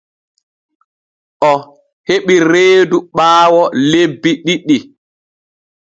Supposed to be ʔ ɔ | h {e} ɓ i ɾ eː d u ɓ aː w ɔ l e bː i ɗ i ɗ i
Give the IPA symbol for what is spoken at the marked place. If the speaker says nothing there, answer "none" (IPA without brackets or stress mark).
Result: e